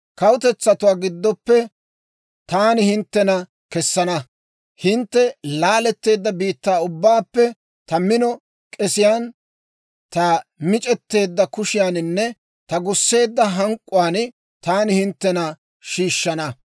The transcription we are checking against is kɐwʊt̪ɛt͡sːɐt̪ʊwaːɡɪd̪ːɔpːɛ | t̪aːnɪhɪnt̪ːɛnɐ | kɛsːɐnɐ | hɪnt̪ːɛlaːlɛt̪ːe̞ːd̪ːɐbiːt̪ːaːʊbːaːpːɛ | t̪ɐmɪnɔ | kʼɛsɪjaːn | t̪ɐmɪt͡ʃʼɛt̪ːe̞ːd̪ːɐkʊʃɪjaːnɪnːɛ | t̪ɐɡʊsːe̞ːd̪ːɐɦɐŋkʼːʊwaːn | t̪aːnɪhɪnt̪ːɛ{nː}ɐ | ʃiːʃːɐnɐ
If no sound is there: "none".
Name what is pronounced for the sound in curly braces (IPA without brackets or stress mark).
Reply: n